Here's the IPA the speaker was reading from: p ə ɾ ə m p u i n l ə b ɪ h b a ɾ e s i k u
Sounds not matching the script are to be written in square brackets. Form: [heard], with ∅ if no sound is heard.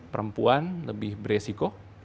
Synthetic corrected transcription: p ə ɾ ə m p u [a] n l ə b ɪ h b [ə] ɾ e s i k [o]